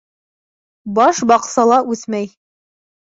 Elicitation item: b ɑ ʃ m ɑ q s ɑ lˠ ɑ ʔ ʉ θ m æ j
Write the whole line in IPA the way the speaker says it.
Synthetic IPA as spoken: b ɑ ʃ b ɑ q s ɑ lˠ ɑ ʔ ʉ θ m æ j